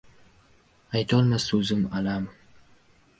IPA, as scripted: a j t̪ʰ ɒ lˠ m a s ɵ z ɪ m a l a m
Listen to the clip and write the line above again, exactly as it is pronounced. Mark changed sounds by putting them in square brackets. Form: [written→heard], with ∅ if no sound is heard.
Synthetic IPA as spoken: a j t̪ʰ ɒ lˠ m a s ɵ z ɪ m a l a m